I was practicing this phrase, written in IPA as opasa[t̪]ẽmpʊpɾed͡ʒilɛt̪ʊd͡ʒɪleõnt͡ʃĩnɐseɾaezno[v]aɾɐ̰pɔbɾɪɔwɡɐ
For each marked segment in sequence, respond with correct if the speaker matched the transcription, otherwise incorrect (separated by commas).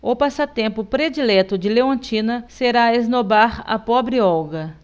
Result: correct, incorrect